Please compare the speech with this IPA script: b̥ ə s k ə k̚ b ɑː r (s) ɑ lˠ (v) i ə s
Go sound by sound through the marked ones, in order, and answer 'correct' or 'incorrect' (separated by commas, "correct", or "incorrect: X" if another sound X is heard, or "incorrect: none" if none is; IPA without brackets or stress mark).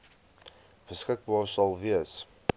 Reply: correct, correct